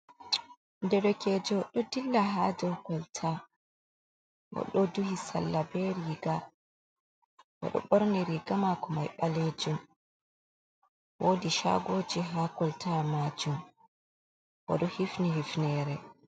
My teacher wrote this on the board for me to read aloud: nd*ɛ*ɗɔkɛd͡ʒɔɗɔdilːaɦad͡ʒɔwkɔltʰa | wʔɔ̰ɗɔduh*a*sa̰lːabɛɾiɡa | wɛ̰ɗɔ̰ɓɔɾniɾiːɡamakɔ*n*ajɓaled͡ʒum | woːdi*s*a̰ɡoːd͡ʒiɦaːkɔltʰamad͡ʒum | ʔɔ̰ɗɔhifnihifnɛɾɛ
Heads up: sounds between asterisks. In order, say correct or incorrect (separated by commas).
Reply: correct, incorrect, incorrect, incorrect